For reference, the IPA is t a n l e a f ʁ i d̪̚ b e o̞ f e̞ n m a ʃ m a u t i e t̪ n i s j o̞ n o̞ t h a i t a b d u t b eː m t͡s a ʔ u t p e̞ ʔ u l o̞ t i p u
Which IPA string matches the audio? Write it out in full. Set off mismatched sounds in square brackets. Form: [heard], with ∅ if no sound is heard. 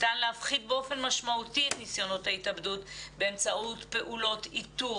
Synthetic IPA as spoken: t a n l e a f [χ] i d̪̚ b e o̞ f e̞ n m a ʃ m a u t i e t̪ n i s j o̞ n o̞ t h a i t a b d u t b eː m t͡s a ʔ u t p e̞ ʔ u l o̞ t i [t] u